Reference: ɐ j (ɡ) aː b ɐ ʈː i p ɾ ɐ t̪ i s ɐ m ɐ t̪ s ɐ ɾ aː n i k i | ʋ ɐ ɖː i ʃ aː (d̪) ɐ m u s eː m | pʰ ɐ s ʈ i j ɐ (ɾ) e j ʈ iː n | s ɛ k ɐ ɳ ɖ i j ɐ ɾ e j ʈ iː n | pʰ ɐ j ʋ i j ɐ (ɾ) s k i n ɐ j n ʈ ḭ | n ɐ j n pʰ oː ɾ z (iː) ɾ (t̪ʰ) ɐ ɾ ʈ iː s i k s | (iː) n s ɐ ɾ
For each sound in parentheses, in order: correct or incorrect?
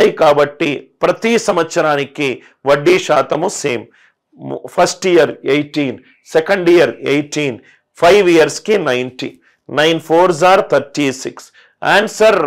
incorrect, incorrect, correct, correct, incorrect, correct, incorrect

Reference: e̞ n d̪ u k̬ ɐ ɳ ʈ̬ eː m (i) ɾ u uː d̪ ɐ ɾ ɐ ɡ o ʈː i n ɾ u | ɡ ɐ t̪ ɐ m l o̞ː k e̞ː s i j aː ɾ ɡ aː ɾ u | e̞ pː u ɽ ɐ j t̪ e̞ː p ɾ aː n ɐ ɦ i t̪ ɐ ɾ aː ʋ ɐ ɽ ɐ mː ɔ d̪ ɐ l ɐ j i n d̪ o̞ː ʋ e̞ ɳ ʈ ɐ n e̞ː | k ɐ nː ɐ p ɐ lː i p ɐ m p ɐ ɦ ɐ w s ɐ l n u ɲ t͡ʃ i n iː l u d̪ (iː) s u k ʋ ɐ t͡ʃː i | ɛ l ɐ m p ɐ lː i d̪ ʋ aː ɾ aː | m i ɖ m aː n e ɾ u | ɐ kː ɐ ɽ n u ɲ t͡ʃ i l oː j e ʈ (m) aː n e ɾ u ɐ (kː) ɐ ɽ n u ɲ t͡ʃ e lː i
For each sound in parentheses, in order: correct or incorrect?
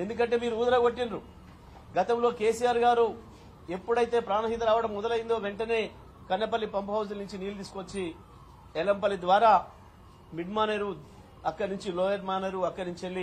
incorrect, correct, correct, correct

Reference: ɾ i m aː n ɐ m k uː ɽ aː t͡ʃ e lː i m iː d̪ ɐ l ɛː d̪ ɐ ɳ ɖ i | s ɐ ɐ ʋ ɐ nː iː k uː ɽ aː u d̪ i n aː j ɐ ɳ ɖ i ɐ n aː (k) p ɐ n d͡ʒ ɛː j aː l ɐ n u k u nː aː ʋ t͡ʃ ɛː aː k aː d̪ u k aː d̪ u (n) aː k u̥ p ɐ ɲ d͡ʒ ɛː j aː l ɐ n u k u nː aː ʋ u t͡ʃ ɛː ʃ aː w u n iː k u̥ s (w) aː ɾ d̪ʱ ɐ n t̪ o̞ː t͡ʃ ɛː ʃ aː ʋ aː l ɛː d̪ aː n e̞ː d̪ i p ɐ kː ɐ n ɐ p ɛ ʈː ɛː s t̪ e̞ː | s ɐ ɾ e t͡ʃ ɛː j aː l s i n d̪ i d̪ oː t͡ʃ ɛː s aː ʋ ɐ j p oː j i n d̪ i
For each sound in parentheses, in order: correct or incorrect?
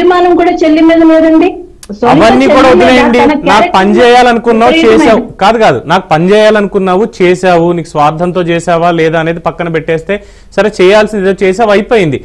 correct, correct, incorrect

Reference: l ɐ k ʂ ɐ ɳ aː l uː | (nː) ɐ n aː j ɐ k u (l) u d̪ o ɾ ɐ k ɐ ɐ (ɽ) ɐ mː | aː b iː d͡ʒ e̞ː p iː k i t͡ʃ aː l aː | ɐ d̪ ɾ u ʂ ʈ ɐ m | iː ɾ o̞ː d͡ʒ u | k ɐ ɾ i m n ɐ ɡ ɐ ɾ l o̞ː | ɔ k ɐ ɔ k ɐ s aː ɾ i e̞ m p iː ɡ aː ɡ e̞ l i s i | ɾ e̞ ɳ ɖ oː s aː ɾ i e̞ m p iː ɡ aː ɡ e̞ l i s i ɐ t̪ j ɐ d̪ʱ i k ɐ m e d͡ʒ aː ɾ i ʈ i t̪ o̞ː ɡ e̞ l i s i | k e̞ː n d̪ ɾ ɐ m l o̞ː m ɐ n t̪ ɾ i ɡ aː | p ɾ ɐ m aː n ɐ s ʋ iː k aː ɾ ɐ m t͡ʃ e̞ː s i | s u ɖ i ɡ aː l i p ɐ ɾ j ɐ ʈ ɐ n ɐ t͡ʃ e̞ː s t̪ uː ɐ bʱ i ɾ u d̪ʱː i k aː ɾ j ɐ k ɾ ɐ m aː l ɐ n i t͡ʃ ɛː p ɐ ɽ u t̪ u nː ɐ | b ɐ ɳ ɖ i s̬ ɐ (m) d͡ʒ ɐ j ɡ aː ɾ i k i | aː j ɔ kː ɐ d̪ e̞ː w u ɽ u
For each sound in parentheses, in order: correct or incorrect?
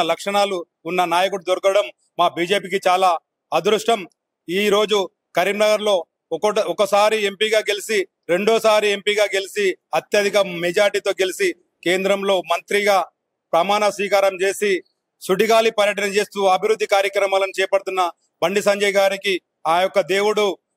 correct, incorrect, correct, incorrect

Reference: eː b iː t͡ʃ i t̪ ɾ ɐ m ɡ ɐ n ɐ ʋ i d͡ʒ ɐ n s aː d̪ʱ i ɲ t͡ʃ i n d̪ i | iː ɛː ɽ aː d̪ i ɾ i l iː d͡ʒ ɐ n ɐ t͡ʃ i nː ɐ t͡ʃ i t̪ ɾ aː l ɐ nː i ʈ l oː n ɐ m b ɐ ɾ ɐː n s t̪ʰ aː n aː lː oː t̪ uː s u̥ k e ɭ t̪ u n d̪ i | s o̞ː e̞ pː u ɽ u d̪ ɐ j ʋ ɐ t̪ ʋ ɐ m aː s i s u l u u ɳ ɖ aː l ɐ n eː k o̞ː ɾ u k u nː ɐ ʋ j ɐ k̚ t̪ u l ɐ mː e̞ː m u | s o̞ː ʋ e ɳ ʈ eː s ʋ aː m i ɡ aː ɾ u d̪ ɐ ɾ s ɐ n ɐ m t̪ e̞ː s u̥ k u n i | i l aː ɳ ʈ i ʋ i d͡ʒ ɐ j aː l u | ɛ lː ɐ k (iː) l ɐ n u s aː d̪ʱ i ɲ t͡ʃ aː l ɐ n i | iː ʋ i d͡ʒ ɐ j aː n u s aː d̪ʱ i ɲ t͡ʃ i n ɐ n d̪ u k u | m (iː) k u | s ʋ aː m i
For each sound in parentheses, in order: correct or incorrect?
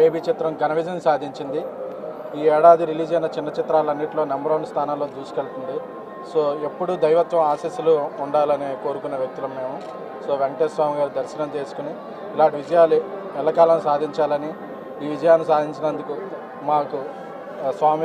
incorrect, incorrect

